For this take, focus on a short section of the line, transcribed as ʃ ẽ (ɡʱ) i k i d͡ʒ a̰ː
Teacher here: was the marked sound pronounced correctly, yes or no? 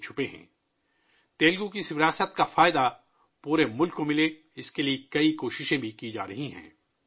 no